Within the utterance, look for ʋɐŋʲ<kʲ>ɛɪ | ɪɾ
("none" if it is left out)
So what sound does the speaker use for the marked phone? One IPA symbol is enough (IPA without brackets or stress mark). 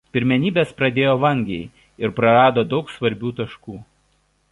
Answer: ɡʲ